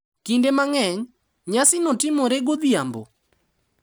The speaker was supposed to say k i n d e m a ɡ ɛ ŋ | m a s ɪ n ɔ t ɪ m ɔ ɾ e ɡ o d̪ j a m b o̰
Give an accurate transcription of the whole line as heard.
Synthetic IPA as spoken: k i n d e m a ŋ ɛ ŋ | ɲ a s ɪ n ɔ t ɪ m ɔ ɾ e ɡ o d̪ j a m b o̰